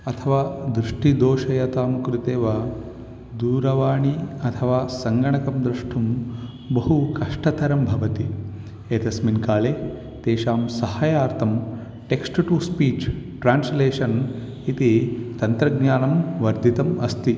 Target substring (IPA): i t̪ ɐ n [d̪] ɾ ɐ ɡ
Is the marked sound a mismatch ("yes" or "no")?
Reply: yes